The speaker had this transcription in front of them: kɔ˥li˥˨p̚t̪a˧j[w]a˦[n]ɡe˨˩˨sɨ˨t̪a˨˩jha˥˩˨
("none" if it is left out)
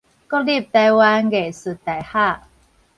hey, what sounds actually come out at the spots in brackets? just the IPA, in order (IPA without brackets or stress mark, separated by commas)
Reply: w, n